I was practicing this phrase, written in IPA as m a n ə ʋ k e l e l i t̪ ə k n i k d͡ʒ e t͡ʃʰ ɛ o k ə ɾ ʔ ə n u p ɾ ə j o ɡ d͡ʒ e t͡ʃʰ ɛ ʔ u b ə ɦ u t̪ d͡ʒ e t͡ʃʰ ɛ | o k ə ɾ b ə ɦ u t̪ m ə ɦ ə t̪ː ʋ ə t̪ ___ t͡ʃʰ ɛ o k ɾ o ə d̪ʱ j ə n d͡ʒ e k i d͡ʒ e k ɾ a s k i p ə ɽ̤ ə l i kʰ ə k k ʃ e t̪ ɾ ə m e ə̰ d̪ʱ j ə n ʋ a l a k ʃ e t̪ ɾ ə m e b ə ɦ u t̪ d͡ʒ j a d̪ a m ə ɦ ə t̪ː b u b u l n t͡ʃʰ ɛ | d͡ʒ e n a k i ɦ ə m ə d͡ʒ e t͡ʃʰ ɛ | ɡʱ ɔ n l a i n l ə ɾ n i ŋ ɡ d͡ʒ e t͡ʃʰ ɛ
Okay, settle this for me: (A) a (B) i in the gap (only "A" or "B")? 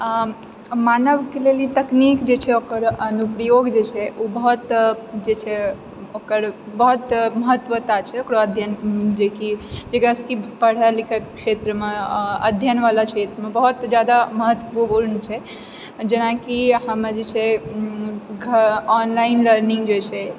A